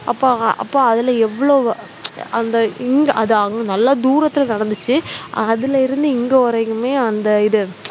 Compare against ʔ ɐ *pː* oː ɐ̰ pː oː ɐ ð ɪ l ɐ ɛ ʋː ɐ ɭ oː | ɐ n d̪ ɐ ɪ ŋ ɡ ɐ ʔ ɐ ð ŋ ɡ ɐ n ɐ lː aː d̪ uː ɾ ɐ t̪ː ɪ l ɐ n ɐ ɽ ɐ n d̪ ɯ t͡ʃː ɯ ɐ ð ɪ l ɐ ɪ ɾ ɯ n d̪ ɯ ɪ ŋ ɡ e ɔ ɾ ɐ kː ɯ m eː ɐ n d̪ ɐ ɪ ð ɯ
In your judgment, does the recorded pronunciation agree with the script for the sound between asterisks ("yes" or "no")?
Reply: yes